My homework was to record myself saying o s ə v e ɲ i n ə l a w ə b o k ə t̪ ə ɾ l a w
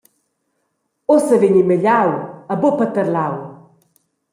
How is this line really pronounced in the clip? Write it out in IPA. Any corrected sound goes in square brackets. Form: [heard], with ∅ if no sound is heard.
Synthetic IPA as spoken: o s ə v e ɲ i [m] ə [ʎ] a w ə b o [p] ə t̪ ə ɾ l a w